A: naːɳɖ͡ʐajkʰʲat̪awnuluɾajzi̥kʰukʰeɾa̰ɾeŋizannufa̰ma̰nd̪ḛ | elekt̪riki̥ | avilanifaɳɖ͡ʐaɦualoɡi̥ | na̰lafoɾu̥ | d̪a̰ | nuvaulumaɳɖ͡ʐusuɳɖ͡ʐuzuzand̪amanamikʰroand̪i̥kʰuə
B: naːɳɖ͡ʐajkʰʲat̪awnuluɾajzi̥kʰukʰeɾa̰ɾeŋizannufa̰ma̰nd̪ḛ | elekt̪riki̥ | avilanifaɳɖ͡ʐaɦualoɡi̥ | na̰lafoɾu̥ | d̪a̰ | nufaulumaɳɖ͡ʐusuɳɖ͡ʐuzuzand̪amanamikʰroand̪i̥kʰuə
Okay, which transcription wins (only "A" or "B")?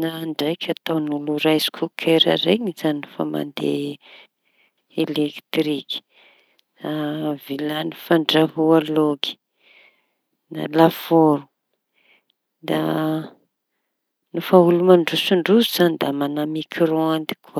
B